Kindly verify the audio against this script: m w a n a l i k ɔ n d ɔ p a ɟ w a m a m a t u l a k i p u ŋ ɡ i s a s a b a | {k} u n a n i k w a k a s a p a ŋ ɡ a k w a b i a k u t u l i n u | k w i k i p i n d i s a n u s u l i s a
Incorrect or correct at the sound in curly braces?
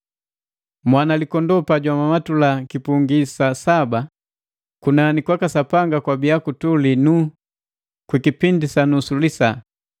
correct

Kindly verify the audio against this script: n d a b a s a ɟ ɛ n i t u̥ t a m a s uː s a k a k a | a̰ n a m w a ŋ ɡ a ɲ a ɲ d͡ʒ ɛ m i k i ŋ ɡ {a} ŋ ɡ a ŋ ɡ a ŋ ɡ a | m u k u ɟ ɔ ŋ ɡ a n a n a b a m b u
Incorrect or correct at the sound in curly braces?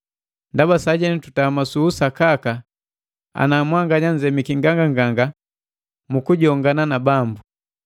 correct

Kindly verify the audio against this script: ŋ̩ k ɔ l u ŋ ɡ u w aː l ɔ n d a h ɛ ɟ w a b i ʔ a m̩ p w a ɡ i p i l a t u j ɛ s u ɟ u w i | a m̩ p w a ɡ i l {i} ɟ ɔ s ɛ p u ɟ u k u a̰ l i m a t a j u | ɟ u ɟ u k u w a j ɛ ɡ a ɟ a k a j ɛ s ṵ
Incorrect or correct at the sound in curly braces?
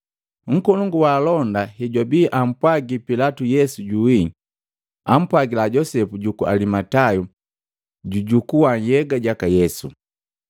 incorrect: a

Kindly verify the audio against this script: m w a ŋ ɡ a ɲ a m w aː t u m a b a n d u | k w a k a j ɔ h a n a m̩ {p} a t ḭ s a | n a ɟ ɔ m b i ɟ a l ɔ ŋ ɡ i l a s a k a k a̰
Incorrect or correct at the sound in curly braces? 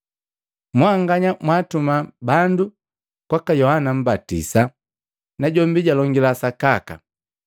incorrect: b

